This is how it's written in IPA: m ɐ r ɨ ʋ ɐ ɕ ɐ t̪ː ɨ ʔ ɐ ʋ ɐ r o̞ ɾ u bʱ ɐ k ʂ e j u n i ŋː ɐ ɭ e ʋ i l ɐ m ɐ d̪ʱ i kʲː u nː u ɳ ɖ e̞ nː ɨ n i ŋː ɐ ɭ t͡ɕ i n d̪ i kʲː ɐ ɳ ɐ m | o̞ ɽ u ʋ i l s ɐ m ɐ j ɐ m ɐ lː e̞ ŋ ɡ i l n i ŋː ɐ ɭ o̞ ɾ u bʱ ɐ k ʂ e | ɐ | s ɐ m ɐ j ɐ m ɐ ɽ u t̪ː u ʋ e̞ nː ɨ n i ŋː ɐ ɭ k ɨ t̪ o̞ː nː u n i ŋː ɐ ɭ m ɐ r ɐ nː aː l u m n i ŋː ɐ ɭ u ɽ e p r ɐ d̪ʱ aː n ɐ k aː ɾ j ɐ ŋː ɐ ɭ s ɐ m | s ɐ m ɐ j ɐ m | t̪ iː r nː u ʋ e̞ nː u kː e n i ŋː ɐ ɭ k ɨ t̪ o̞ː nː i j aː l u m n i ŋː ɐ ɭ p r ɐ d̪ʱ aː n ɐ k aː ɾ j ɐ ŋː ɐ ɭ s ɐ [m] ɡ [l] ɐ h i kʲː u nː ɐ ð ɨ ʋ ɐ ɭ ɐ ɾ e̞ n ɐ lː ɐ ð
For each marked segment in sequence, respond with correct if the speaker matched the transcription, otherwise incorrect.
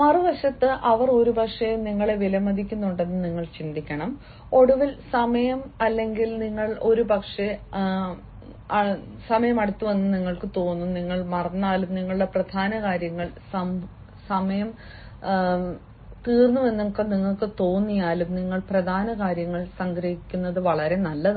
incorrect: ŋ, incorrect: ɾ

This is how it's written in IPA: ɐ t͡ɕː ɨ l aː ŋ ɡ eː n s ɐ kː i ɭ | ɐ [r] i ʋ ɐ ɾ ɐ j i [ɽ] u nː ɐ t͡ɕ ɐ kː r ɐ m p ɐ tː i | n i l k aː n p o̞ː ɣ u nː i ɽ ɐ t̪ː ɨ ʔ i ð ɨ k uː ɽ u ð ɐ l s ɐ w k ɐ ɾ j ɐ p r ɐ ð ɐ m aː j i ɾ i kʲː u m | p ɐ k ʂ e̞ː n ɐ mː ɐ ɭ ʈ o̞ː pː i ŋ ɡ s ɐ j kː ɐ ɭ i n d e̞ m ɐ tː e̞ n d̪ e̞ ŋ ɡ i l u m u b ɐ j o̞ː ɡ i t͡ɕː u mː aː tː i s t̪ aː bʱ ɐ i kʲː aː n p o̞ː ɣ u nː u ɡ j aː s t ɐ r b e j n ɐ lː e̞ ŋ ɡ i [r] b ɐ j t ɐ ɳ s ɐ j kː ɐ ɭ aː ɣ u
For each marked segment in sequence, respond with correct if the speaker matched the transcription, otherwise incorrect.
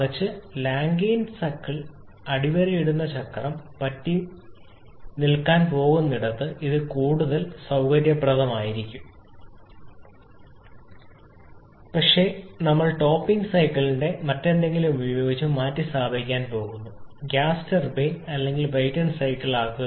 incorrect: ɽ, correct, incorrect: l

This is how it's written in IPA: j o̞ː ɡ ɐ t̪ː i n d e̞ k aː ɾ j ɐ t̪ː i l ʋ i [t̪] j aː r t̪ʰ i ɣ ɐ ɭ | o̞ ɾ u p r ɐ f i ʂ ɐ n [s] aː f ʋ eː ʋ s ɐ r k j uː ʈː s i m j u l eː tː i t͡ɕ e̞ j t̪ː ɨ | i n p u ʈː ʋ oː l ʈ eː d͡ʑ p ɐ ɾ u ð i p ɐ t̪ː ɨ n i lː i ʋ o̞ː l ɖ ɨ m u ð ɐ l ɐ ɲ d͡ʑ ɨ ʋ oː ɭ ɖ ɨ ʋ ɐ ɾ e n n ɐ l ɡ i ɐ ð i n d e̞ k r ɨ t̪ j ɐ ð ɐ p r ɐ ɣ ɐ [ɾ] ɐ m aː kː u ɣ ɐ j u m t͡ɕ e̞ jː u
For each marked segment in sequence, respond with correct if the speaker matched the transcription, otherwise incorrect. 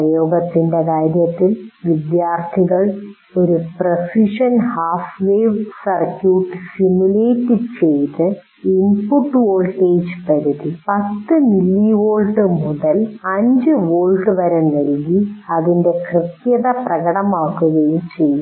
incorrect: d̪, incorrect: h, incorrect: ɽ

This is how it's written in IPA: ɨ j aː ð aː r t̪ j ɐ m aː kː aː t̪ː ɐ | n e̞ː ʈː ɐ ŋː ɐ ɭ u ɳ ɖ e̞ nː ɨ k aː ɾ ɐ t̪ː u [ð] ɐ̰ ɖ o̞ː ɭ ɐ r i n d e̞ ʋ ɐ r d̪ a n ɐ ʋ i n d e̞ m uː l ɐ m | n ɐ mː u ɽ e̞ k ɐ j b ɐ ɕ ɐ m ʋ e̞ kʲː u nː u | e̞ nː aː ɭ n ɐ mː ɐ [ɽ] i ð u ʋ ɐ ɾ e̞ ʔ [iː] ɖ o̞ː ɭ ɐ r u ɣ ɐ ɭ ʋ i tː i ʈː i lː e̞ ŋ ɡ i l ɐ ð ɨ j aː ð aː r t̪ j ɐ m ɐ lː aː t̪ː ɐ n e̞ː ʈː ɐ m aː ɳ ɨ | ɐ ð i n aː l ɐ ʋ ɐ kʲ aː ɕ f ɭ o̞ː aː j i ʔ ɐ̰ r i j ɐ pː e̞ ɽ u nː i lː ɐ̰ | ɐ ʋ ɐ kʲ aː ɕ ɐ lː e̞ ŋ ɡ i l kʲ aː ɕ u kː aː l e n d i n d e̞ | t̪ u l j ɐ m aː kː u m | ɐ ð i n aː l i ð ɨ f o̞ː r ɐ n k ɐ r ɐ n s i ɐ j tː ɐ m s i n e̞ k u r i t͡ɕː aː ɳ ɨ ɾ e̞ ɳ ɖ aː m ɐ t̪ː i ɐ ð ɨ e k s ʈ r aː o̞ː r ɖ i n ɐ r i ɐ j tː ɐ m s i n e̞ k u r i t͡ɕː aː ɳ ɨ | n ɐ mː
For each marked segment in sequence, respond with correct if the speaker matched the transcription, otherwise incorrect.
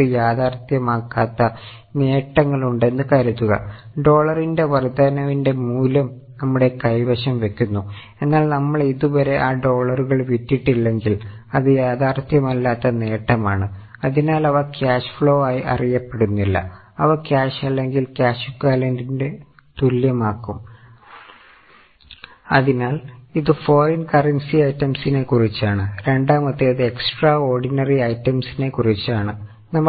incorrect: ɣ, incorrect: ɭ, incorrect: aː

